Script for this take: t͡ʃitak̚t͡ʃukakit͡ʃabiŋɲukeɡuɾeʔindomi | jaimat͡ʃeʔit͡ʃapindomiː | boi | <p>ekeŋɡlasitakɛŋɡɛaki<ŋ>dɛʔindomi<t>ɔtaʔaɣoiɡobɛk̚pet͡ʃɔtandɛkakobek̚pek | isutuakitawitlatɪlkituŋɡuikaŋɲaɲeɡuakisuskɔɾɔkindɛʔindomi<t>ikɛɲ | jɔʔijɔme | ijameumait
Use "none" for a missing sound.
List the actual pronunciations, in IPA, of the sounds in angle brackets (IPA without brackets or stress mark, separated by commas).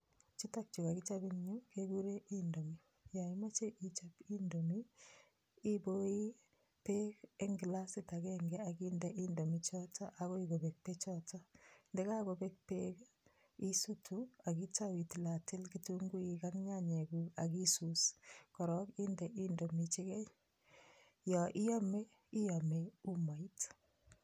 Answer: p, n, t͡ʃ, t͡ʃ